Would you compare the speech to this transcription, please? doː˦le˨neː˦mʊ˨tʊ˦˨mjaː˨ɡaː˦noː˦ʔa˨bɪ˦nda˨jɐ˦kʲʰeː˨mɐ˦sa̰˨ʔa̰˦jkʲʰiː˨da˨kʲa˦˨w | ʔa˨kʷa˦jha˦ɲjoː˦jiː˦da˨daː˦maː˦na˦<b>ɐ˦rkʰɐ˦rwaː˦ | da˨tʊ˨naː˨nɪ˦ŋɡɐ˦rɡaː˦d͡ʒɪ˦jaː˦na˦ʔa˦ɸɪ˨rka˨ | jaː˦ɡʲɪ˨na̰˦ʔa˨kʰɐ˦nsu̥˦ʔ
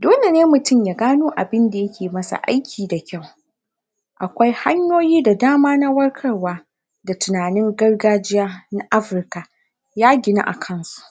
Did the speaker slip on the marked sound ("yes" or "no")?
yes